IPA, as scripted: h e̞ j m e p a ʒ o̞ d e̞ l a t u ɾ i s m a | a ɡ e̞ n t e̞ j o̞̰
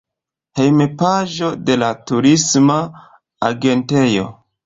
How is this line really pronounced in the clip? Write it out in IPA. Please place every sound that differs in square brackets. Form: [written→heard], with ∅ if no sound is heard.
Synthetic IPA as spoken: h e̞ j m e p a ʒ o̞ d e̞ l a t u ɾ i s m a | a ɡ e̞ n t e̞ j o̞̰